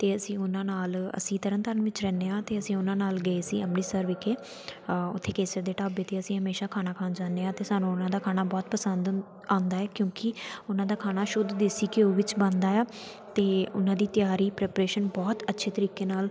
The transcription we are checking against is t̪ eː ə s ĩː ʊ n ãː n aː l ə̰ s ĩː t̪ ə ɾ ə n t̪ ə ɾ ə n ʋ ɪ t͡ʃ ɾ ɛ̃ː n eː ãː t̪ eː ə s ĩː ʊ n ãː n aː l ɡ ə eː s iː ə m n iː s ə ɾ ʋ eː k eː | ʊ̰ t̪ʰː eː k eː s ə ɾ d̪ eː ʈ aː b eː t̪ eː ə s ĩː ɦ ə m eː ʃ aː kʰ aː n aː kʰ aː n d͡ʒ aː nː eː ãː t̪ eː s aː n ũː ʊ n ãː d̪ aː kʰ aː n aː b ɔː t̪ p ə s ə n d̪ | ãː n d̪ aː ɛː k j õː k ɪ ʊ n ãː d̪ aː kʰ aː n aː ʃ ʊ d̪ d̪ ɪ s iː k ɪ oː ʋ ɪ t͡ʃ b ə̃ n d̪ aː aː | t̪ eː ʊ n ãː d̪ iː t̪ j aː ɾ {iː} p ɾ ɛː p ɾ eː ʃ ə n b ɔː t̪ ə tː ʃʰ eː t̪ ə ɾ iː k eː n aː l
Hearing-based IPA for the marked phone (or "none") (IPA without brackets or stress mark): iː